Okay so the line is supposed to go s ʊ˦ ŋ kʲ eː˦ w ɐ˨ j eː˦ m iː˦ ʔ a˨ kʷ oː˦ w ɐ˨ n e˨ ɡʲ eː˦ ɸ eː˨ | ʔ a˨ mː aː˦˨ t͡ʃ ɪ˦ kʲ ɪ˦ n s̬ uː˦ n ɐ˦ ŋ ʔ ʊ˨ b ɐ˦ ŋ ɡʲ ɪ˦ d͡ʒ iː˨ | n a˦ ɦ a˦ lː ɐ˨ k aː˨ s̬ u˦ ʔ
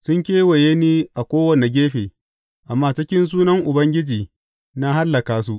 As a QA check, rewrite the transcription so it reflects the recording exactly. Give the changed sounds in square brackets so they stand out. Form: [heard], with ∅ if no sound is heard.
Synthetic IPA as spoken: s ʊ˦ ŋ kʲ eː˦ w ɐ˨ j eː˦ [n] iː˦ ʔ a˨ kʷ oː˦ w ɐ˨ n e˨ ɡʲ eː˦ ɸ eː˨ | ʔ a˨ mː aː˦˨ t͡ʃ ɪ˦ kʲ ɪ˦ n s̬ uː˦ n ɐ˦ ŋ ʔ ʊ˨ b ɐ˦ ŋ ɡʲ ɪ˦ d͡ʒ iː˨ | n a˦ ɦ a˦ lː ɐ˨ k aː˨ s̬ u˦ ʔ